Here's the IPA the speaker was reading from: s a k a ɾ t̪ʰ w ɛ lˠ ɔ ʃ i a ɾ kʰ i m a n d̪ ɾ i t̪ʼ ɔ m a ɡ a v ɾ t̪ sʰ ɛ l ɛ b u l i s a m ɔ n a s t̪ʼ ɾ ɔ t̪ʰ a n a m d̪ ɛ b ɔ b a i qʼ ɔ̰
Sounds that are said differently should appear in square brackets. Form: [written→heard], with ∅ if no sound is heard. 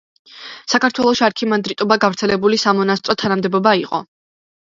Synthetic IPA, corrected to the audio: s a k a ɾ t̪ʰ w ɛ lˠ ɔ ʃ i a ɾ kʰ i m a n d̪ ɾ i t̪ʼ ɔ [m→b] a ɡ a v ɾ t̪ sʰ ɛ l ɛ b u l i s a m ɔ n a s t̪ʼ ɾ ɔ t̪ʰ a n a m d̪ ɛ b ɔ b a i qʼ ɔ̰